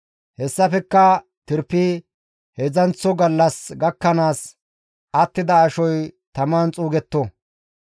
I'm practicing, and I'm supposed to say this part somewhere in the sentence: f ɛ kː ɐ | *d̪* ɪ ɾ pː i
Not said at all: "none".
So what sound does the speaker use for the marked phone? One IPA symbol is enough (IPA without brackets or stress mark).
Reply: t̪